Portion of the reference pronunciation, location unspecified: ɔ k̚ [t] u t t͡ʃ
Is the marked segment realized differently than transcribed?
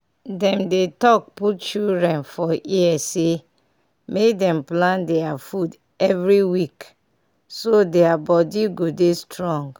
yes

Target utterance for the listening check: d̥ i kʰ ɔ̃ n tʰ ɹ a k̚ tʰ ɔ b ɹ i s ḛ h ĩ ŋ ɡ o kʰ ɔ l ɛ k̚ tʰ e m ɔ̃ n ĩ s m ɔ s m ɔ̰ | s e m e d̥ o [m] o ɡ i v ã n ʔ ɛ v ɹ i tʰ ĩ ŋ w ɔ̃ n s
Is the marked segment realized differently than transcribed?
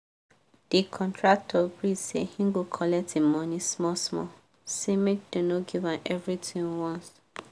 yes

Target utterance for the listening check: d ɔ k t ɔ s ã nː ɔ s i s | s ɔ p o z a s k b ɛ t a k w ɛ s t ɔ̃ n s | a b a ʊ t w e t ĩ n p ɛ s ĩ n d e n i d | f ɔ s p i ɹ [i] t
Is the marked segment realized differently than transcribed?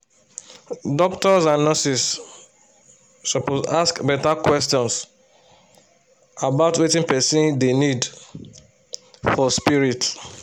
no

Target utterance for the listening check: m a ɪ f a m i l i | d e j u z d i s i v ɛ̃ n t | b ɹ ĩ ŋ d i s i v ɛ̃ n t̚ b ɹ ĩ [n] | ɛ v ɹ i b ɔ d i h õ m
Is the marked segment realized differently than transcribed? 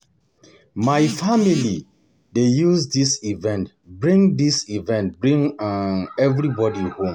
yes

